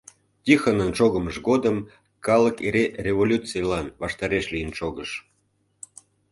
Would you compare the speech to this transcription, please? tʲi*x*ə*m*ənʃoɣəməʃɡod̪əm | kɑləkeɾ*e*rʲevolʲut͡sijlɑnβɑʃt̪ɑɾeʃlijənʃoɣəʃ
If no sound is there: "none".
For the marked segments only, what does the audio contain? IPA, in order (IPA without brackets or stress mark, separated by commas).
x, n, e